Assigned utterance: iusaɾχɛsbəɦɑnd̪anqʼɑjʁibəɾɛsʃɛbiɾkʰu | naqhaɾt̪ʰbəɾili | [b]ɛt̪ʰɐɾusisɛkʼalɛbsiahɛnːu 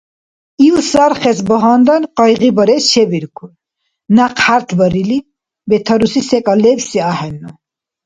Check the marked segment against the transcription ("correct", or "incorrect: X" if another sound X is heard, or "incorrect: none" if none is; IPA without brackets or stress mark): correct